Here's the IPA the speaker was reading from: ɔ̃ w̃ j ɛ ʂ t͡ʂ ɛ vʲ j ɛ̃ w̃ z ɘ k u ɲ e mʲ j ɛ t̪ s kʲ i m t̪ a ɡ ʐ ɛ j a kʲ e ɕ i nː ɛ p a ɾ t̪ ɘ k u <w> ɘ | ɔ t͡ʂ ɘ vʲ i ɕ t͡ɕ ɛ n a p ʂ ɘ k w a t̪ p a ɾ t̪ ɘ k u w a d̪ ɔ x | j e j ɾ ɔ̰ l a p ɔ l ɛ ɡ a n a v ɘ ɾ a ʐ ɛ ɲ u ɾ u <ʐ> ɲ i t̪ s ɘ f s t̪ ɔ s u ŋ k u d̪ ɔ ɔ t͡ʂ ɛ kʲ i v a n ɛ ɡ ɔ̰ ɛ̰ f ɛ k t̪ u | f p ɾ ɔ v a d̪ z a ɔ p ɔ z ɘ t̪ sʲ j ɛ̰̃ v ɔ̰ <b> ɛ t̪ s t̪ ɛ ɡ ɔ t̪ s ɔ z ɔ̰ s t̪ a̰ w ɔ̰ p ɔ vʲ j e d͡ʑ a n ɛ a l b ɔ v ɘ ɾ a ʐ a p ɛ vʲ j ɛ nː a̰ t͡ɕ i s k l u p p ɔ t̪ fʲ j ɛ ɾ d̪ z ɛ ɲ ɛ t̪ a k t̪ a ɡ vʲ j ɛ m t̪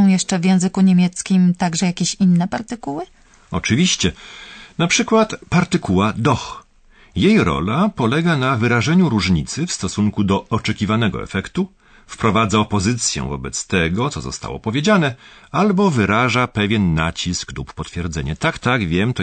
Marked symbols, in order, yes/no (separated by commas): yes, yes, yes